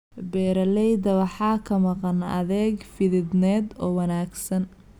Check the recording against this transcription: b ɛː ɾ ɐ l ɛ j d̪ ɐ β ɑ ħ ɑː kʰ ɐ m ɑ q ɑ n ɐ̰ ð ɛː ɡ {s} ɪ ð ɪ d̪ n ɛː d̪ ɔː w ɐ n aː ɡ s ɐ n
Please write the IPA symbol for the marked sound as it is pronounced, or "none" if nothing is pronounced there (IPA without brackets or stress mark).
f